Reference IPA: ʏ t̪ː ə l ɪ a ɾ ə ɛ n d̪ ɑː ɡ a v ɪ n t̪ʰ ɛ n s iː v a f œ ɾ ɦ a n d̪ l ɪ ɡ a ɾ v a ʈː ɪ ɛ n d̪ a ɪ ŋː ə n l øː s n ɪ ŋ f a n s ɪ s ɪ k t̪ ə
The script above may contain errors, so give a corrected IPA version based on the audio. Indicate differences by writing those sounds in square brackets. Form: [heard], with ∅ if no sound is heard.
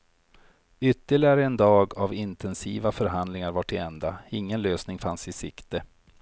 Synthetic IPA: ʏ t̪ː ə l ɪ a ɾ ə ɛ n d̪ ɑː ɡ a v ɪ n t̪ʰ ɛ n s iː v a f œ ɾ ɦ a n d̪ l ɪ [ŋ] a ɾ v a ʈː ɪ ɛ n d̪ a ɪ ŋː ə n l øː s n ɪ ŋ f a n s ɪ s ɪ k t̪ ə